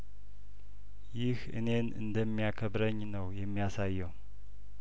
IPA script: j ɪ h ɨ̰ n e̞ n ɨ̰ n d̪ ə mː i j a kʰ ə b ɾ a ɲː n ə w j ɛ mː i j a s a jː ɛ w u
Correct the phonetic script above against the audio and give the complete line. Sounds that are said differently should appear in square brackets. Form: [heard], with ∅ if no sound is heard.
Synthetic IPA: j ɪ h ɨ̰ n e̞ n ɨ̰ n d̪ ə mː i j a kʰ ə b ɾ [ə] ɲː n ə w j ɛ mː i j a s a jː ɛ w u